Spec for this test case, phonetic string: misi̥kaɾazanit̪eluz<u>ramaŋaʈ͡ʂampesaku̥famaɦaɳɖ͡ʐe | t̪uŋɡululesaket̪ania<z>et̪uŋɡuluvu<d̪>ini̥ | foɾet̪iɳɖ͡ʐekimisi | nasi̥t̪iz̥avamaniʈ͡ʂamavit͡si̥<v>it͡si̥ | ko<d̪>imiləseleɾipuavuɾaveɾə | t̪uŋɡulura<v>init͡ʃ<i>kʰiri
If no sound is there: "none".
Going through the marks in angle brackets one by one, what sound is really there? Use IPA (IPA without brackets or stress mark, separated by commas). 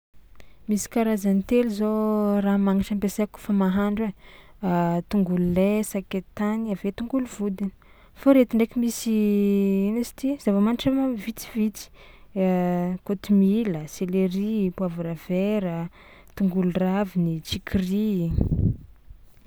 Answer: o, v, d̪, v, t̪, v, i